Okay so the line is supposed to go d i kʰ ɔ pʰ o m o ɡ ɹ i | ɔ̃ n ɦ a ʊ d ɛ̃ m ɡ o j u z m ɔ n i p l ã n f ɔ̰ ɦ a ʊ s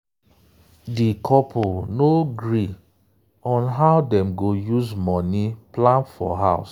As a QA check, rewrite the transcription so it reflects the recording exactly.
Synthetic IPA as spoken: d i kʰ ɔ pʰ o n o ɡ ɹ i | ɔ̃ n ɦ a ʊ d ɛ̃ m ɡ o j u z m ɔ n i p l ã n f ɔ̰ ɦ a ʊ s